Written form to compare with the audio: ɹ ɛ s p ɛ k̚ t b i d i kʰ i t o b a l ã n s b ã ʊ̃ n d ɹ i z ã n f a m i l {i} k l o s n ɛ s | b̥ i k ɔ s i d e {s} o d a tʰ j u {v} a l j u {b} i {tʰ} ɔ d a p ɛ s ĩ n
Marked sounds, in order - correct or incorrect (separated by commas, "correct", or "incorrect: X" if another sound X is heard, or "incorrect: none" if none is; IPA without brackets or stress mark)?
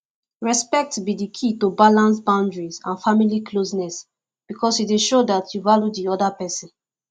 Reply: correct, incorrect: ʃ, correct, incorrect: d, incorrect: none